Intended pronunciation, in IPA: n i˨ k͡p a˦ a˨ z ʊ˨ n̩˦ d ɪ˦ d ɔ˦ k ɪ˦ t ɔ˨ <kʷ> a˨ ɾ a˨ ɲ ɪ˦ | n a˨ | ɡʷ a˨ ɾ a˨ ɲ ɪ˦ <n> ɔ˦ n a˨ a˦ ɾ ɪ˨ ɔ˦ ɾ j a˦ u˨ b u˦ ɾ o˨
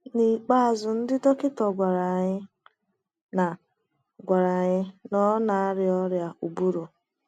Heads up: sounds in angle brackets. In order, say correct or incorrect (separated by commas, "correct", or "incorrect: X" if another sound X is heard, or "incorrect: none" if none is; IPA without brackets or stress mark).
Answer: incorrect: ɡʷ, correct